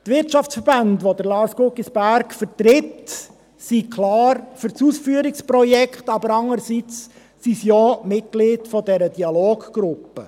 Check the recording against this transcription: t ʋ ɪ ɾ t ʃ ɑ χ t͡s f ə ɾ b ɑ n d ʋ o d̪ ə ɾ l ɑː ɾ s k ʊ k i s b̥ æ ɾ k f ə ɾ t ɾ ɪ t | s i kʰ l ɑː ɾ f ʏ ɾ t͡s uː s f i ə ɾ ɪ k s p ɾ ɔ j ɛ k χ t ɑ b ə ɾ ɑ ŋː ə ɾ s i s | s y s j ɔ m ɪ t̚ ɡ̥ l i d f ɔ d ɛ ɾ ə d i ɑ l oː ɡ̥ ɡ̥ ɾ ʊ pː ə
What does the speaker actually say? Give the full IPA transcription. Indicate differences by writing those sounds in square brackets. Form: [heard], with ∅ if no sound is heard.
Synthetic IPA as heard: t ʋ ɪ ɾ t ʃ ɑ [f] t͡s f ə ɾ b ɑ n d ʋ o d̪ ə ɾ l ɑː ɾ s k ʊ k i s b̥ æ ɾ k f ə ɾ t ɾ ɪ t | s i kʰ l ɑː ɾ f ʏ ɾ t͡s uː s f [y] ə ɾ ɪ k s p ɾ ɔ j ɛ k χ t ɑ b ə ɾ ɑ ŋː ə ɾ s i [t͡s] | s [i] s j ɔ m ɪ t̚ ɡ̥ l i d f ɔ d ɛ ɾ ə d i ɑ l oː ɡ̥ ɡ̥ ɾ ʊ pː ə

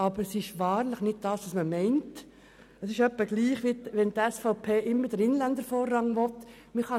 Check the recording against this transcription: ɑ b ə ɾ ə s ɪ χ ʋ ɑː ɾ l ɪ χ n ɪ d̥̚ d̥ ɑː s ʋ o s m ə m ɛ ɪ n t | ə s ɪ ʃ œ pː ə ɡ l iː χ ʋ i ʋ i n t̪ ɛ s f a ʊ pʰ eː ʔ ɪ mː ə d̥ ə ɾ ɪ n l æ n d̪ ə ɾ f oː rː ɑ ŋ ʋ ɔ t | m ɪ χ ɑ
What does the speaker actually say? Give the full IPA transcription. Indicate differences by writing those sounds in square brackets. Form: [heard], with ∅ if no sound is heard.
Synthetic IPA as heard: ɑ b ə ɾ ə s ɪ [ʃ] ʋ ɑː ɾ l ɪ χ n ɪ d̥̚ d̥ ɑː s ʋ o s m ə m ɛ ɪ n t | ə s ɪ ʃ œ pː ə ɡ l iː χ ʋ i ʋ [ɛ] n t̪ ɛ s f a ʊ pʰ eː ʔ ɪ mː ə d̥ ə ɾ ɪ n l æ n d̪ ə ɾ f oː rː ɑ ŋ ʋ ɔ t | m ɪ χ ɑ

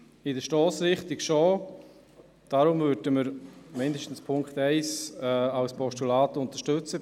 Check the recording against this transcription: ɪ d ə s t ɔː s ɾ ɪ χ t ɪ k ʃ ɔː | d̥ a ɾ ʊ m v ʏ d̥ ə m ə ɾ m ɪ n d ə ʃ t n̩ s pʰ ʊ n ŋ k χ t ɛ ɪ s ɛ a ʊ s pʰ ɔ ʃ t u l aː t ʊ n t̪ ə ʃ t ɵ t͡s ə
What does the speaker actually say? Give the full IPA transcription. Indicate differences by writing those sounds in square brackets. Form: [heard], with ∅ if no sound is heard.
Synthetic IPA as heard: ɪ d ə [ʃ] t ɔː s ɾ ɪ χ t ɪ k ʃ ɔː | d̥ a ɾ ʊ m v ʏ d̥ ə m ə ɾ m ɪ n d ə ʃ t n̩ s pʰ ʊ [∅] ŋ k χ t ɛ ɪ s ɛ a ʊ s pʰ ɔ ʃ t u l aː t ʊ n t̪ ə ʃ t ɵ t͡s ə

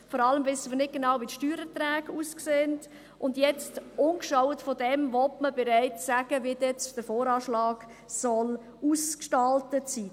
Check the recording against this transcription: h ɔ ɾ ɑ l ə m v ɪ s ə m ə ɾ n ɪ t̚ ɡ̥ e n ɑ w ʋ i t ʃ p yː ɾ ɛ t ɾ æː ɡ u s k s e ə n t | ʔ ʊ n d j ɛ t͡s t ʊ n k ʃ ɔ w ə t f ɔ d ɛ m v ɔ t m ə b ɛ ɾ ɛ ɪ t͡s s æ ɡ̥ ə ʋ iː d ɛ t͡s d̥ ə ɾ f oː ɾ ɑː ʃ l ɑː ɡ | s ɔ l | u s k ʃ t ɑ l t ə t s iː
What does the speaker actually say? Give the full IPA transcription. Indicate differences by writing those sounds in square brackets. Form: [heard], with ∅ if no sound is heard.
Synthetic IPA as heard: [f] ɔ ɾ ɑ l ə m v ɪ s ə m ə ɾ n ɪ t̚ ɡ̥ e n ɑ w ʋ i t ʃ [t] yː ɾ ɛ t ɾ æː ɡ u s k s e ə n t | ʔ ʊ n d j ɛ t͡s t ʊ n k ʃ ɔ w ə t f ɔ d ɛ m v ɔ t m ə b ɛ ɾ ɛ ɪ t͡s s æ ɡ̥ ə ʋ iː d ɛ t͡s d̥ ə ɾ f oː ɾ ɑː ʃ l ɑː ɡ | s ɔ l | u s k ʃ t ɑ l t ə t s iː

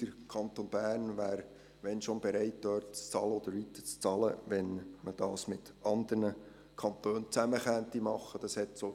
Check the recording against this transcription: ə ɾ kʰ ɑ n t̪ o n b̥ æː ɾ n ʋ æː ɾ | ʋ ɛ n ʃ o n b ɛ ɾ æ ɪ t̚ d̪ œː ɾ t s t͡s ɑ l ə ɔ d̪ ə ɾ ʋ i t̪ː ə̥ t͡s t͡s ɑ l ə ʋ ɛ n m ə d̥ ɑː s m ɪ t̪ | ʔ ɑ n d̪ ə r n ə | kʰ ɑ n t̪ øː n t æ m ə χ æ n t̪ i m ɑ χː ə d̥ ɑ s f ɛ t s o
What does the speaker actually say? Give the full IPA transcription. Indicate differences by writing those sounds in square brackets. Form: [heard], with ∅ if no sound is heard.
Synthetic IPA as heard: ə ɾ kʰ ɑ n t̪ o n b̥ æː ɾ n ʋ æː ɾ | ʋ ɛ n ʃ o n b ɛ ɾ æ ɪ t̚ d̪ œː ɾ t [t͡s] t͡s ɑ l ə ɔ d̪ ə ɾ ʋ i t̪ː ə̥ t͡s t͡s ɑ l ə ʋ ɛ n m ə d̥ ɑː s m ɪ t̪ | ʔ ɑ n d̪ ə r n ə | kʰ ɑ n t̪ øː n [t͡s] æ m ə χ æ n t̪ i m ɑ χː ə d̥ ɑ s [h] ɛ t s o

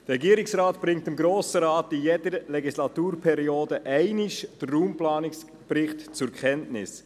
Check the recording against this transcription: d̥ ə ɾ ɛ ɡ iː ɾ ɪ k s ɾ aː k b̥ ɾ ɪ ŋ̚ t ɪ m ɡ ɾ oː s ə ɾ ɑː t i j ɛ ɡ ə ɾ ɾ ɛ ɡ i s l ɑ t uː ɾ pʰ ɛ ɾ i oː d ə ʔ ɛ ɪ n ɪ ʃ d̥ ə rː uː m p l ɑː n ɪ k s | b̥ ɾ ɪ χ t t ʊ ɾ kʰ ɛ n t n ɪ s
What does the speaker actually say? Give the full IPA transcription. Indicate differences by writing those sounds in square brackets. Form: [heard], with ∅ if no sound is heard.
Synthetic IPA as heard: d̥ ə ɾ ɛ ɡ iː ɾ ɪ k s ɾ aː [t] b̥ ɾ ɪ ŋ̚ t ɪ m ɡ ɾ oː s ə ɾ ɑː t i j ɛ [d] ə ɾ [l] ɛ ɡ i s l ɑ t uː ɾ pʰ ɛ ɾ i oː d ə ʔ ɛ ɪ n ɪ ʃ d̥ ə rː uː m p l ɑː n ɪ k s | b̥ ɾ ɪ χ t [t͡s] ʊ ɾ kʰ ɛ n t n ɪ s

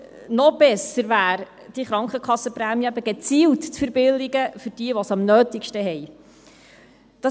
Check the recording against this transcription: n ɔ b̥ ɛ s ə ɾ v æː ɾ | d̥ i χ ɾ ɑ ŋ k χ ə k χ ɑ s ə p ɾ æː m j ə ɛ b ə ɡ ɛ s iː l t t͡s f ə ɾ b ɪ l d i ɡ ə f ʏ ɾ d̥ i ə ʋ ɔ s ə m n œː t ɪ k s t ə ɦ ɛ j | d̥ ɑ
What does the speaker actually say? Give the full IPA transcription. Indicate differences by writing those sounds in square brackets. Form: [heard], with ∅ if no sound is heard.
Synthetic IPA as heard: n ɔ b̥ ɛ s ə ɾ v æː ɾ | d̥ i χ ɾ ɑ ŋ k χ ə k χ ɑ s ə p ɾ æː m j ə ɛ b ə ɡ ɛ [t͡s] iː l t t͡s f ə ɾ b ɪ l d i ɡ ə f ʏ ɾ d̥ i ə ʋ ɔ s [ɑ] m n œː t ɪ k [ʃ] t ə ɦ ɛ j | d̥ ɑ

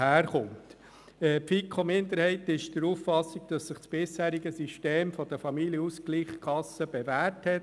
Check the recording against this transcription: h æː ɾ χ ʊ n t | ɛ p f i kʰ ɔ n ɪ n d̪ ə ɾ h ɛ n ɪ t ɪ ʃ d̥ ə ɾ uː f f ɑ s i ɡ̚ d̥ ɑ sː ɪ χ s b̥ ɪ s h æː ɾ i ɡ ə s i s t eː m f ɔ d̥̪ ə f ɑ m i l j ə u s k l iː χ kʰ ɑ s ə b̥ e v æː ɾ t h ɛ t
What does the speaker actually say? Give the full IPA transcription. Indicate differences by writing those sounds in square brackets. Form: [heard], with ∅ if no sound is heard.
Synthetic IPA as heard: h æː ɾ χ ʊ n t | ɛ p f i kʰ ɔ [m] ɪ n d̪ ə ɾ h ɛ [∅] ɪ t ɪ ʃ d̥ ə ɾ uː f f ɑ s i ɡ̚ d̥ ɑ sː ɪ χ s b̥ ɪ s h æː ɾ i ɡ ə s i [ʃ] t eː m f ɔ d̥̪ ə f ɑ m i l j ə u s k l iː χ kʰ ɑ s ə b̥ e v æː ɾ t h ɛ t

